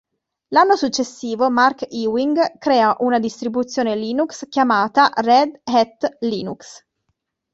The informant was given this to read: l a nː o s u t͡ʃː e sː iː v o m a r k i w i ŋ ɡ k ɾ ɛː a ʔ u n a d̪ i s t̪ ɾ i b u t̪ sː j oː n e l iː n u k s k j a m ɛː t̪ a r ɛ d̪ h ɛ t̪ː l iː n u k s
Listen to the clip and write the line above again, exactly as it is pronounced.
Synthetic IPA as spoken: l a nː o s u t͡ʃː e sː iː v o m a r k i w i ŋ ɡ k ɾ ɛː a ʔ u n a d̪ i s t̪ ɾ i b u t̪ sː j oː n e l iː n u k s k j a m aː t̪ a r ɛ d̪ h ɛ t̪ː l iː n u k s